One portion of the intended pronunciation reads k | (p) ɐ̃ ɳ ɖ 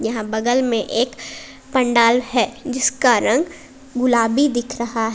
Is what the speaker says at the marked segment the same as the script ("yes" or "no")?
yes